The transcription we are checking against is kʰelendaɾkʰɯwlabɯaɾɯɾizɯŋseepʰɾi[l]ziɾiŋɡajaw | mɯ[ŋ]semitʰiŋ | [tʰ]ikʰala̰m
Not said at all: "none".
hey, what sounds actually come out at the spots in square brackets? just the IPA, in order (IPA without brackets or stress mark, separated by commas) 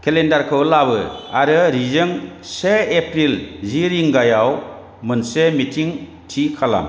l, n, tʰ